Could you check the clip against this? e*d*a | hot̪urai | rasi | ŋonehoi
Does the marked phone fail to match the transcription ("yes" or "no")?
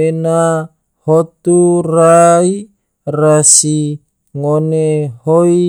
yes